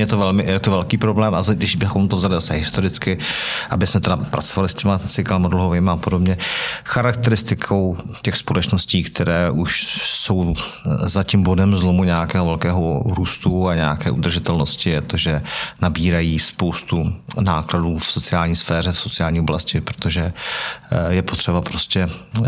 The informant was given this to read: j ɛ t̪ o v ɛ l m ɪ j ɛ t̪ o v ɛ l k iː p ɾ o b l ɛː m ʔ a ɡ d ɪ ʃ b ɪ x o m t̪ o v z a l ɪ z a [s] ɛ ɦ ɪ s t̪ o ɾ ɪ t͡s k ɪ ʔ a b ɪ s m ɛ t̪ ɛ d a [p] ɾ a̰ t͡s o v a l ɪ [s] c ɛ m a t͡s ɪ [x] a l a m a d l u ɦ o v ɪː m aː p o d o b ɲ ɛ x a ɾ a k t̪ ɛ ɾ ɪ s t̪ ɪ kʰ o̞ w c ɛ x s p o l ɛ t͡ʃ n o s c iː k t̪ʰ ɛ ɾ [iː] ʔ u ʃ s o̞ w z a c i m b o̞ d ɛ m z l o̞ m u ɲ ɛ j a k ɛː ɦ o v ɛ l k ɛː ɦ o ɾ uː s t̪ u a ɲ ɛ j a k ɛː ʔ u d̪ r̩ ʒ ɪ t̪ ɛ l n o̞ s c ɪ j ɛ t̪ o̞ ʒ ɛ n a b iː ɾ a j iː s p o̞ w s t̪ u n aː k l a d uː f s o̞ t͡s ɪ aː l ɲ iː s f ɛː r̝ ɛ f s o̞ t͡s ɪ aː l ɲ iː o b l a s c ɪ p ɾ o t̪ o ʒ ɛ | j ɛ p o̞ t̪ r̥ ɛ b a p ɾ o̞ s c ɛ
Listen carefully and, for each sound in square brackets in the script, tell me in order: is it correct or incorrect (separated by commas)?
correct, correct, correct, incorrect, incorrect